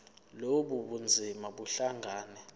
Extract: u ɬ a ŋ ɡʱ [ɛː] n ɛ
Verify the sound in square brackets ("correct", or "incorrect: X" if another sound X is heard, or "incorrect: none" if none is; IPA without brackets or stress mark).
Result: incorrect: aː